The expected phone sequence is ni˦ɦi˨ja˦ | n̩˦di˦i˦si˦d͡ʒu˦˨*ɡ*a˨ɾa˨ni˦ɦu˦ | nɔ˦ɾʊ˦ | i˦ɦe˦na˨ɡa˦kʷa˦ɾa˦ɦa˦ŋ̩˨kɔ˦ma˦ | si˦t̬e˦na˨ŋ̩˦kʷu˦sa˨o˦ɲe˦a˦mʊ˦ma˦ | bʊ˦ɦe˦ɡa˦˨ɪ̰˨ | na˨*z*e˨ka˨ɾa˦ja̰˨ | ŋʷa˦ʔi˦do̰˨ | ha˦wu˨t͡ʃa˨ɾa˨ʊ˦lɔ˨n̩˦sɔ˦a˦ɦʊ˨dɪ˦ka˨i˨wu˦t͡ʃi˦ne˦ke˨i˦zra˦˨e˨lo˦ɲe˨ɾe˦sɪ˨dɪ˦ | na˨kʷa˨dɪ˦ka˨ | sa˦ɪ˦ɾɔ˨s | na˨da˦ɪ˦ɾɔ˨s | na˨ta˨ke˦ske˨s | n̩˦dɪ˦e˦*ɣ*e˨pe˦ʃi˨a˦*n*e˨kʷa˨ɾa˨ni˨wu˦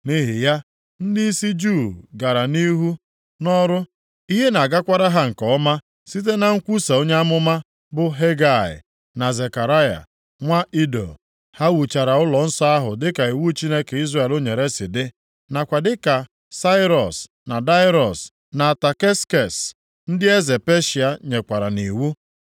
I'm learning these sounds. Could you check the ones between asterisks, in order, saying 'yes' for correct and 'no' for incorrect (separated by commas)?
yes, yes, no, no